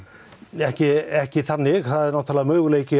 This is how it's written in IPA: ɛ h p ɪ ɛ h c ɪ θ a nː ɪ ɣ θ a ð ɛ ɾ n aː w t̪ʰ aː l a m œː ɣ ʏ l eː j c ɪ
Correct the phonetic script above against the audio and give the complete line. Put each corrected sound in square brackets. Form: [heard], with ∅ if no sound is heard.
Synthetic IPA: ɛ h [c] ɪ ɛ h c ɪ θ a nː ɪ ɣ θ a ð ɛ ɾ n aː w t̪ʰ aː l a m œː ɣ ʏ l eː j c ɪ